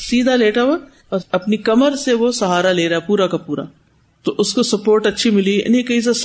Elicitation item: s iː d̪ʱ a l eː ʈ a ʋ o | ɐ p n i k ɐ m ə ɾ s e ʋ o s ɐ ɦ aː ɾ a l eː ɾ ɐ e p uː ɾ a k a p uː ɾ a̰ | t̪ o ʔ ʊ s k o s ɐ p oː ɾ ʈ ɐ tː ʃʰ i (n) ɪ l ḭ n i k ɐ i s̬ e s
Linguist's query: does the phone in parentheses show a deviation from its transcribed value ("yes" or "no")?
yes